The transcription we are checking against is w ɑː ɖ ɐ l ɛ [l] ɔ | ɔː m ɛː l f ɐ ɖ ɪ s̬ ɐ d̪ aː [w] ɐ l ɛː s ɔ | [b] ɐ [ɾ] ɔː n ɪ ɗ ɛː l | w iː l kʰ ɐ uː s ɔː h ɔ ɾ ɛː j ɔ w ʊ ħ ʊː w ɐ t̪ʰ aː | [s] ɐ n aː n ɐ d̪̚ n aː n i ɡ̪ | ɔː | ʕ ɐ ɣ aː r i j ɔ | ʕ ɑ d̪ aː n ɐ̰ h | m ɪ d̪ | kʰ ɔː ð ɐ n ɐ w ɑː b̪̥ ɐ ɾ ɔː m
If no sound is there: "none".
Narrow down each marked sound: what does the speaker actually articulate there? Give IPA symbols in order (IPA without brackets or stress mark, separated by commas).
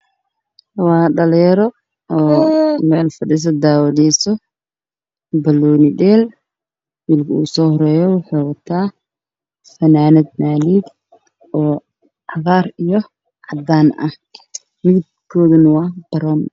ɾ, w, b, l, f